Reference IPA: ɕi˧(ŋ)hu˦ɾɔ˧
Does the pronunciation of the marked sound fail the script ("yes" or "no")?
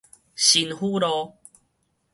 yes